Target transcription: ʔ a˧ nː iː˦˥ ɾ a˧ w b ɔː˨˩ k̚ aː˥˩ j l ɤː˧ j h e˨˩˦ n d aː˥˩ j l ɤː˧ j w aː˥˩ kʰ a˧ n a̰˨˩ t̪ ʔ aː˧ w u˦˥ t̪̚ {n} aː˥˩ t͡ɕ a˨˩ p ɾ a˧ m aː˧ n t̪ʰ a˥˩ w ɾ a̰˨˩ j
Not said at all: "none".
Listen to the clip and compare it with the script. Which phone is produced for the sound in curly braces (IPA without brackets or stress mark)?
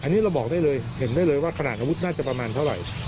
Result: n